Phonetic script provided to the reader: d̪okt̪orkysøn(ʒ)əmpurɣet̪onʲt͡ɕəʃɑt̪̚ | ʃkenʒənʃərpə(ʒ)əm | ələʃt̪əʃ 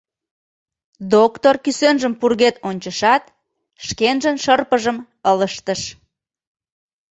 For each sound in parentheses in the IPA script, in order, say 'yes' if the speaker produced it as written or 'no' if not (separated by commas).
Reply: yes, yes